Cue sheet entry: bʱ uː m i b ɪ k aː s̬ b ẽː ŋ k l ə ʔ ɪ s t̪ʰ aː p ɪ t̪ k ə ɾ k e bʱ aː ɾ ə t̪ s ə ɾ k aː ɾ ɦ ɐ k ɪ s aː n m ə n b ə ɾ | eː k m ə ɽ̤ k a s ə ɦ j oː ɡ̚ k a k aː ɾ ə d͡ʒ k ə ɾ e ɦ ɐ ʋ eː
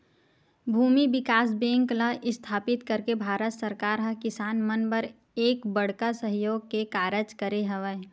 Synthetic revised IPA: bʱ uː m i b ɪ k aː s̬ b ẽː ŋ k l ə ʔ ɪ s t̪ʰ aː p ɪ t̪ k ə ɾ k e bʱ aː ɾ ə t̪ s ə ɾ k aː ɾ ɦ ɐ k ɪ s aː n m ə n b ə ɾ | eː k b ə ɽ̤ k a s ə ɦ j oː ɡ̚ k e k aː ɾ ə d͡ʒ k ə ɾ e ɦ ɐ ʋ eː